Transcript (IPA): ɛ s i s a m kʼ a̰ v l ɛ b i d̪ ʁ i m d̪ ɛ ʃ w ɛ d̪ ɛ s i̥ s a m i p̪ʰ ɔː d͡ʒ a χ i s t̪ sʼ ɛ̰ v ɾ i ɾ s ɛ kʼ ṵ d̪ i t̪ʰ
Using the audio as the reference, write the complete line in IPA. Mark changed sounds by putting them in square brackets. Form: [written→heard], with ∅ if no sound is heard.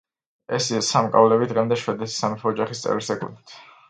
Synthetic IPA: ɛ s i s a m kʼ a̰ v l ɛ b i d̪ ʁ [i→ɛ] m d̪ ɛ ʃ w ɛ d̪ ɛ s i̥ s a m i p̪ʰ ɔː d͡ʒ a χ i s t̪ sʼ ɛ̰ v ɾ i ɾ s ɛ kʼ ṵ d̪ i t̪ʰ